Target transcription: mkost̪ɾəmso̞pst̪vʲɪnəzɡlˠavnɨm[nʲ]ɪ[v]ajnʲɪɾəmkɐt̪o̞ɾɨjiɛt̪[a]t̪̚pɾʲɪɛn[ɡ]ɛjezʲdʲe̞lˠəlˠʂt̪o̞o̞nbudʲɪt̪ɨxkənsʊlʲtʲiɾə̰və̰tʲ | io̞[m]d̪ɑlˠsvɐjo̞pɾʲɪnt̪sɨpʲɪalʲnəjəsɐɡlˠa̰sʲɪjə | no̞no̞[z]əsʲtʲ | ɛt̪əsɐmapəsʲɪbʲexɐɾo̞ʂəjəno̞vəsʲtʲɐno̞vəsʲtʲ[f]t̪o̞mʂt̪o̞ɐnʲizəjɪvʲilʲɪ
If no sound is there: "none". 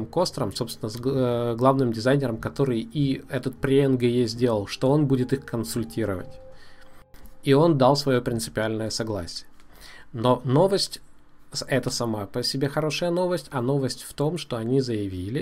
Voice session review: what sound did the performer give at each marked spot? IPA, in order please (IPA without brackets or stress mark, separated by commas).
dʲ, z, ə, ɡ, n, v, f